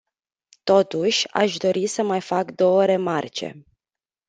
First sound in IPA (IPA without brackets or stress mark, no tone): t̪